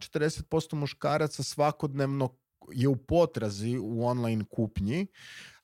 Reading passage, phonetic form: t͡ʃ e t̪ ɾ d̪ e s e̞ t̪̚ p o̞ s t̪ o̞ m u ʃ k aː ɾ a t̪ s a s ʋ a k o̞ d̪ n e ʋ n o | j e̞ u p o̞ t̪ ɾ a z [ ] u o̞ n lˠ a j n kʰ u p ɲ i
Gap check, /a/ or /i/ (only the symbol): i